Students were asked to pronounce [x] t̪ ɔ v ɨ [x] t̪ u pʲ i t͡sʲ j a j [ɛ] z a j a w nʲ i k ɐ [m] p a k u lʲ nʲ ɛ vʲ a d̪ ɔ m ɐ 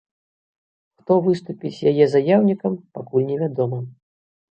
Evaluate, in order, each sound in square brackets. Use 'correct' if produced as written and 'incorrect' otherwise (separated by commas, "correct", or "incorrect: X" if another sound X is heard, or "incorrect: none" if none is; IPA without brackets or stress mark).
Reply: correct, incorrect: s, correct, correct